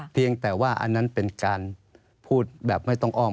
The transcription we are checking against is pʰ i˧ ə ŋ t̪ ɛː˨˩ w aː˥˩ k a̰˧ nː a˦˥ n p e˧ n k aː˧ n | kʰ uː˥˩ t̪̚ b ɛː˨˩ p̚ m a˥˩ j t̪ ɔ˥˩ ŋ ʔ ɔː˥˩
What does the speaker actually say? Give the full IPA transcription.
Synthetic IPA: pʰ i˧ ə ŋ t̪ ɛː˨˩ w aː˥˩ ʔ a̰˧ nː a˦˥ n p e˧ n k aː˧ n | pʰ uː˥˩ t̪̚ b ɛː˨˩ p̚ m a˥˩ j t̪ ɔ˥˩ ŋ ʔ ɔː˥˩